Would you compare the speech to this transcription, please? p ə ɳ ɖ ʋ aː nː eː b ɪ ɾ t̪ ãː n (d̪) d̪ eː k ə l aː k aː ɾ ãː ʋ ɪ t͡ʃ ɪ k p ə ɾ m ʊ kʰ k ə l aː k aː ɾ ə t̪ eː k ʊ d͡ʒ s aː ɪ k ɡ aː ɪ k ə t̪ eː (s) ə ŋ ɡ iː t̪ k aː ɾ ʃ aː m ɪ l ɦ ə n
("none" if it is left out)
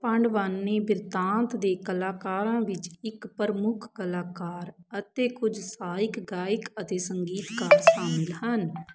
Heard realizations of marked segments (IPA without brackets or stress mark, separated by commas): t̪, s